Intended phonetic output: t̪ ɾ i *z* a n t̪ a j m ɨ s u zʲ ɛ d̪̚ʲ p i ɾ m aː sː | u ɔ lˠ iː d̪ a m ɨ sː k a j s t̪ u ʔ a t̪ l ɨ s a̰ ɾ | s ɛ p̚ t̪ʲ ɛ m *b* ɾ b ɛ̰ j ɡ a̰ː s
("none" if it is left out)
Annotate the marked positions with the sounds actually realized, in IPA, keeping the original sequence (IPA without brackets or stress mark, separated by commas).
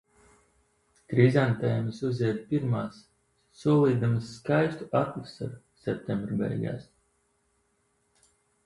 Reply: z, b